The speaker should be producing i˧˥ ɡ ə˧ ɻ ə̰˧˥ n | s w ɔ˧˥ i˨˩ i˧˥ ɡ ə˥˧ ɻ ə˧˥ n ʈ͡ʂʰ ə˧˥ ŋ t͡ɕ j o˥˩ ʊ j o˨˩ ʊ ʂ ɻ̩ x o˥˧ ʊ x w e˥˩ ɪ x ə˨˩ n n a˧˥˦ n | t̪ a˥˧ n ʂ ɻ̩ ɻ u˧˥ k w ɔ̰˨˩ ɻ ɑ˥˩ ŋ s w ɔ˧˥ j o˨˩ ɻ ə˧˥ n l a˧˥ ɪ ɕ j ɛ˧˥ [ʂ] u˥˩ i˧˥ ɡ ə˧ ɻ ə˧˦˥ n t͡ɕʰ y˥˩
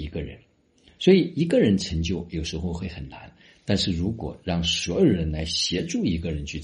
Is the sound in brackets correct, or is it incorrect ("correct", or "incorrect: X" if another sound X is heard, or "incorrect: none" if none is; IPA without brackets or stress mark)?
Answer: incorrect: ʈ͡ʂ